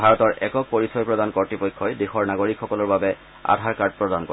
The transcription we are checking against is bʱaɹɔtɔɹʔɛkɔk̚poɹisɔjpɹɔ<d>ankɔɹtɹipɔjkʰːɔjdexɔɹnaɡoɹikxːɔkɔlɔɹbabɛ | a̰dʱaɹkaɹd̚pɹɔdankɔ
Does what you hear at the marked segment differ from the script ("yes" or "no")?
no